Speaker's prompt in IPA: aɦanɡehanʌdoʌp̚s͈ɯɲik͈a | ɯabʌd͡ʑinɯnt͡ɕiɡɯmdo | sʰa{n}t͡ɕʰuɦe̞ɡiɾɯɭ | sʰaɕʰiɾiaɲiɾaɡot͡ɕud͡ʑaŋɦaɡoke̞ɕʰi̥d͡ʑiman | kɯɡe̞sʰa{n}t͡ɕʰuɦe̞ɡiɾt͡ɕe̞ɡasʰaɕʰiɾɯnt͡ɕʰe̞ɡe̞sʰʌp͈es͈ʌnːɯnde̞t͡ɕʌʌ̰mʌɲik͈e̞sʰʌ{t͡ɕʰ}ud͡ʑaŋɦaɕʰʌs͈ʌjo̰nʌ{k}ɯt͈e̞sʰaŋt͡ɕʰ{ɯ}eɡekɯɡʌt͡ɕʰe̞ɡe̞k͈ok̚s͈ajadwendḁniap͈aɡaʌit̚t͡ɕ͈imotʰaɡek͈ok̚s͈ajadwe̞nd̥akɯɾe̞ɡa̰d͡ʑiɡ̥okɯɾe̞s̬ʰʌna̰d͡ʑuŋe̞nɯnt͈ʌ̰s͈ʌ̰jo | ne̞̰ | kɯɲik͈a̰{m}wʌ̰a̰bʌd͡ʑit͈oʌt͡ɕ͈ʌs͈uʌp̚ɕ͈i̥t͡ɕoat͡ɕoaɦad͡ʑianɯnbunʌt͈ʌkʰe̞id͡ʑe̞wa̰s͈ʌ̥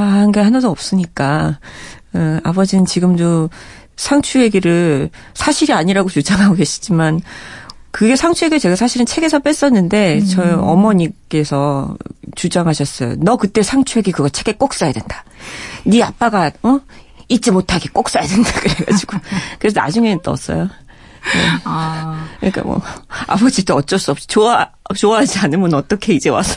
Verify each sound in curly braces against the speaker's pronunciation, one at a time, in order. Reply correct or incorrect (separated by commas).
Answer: incorrect, incorrect, incorrect, correct, incorrect, correct